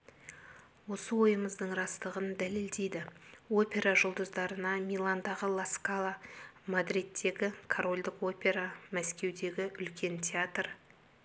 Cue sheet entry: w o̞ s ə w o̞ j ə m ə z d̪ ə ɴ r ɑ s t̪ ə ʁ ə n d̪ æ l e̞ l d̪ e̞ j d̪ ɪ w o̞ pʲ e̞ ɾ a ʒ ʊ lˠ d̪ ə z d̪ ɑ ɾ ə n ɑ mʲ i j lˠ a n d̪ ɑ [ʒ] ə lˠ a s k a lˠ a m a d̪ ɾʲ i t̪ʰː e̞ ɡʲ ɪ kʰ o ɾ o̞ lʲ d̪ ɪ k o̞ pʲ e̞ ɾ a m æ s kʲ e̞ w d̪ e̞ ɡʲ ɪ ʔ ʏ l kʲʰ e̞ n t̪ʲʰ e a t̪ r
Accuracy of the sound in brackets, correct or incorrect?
incorrect: ʁ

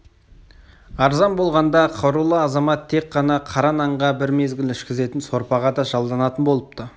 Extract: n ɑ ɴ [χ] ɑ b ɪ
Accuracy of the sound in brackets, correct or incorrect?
incorrect: ʁ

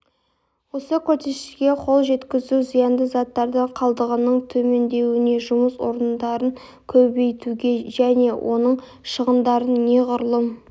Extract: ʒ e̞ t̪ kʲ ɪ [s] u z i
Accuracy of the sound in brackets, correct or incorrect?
incorrect: z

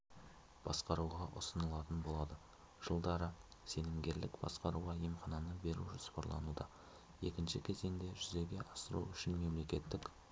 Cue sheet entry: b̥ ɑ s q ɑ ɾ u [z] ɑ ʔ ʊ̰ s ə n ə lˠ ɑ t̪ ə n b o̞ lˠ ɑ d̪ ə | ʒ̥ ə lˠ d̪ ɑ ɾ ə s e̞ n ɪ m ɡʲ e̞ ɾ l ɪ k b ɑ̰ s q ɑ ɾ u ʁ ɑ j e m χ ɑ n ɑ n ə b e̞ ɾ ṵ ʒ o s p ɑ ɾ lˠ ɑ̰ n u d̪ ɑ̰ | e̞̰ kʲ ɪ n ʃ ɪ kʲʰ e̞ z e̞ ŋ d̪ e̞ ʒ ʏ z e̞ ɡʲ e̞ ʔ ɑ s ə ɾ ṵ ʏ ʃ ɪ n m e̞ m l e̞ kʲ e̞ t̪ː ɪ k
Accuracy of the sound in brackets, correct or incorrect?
incorrect: ʁ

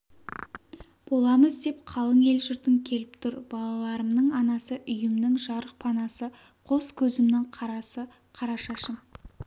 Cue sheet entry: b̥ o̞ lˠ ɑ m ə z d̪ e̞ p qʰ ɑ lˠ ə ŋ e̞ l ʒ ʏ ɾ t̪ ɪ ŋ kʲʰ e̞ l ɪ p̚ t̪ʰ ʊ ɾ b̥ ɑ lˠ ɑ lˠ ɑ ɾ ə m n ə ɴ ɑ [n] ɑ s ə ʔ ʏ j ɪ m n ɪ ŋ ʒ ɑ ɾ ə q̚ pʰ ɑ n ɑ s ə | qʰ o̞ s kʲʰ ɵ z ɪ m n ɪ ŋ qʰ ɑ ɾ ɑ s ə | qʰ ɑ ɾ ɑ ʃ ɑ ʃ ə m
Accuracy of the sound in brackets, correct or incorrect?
correct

